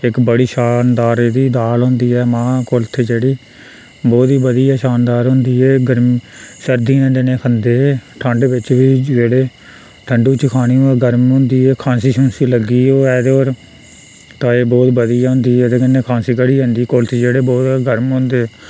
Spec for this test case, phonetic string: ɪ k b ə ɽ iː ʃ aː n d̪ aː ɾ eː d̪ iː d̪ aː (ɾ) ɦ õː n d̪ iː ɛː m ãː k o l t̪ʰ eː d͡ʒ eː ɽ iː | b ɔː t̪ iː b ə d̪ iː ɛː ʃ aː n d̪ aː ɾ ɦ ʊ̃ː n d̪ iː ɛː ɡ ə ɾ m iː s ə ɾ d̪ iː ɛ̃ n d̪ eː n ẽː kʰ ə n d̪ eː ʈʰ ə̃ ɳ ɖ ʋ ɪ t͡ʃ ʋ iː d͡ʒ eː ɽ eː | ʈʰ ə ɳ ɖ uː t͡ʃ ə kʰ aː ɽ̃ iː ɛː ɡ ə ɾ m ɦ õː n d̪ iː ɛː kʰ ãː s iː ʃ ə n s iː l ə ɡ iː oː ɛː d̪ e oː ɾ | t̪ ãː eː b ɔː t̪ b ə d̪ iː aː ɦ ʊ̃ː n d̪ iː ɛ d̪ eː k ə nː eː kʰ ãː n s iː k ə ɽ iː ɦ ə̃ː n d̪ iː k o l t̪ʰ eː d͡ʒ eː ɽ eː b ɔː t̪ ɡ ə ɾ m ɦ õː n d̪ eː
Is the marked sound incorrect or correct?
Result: incorrect: l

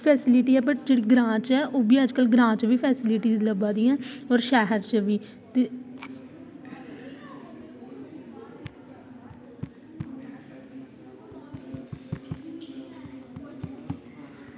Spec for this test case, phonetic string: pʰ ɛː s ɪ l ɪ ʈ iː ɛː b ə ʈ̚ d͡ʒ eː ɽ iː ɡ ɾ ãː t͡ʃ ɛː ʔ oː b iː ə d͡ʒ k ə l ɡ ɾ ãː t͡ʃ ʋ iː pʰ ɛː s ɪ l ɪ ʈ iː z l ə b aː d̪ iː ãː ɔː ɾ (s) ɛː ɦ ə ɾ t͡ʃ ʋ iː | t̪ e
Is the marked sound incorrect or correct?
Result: incorrect: ʃ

